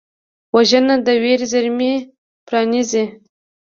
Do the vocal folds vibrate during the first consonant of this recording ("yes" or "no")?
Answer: yes